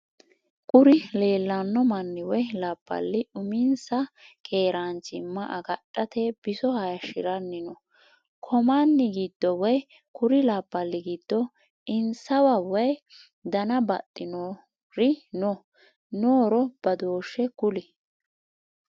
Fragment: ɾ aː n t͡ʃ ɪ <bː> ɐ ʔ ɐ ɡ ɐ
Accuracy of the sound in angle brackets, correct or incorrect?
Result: incorrect: mː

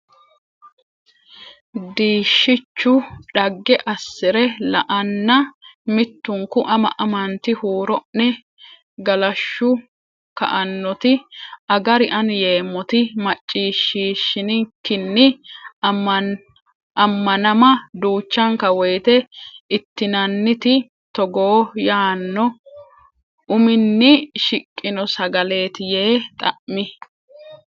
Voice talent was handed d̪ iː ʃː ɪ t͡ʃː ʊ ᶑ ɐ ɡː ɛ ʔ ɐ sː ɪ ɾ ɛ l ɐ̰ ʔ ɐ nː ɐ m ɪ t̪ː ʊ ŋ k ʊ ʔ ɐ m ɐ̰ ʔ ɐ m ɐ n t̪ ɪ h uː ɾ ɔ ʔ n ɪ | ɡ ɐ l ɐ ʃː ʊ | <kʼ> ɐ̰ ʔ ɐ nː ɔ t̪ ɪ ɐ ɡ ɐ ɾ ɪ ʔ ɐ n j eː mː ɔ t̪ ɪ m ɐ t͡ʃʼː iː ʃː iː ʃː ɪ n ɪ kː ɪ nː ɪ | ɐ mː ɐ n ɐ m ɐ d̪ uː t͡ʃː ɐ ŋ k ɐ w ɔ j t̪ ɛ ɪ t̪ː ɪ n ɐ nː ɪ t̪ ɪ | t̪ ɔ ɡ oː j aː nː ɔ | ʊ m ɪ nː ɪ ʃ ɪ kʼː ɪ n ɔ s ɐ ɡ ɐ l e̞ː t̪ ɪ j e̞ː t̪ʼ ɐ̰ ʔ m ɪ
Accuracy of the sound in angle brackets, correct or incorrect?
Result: incorrect: k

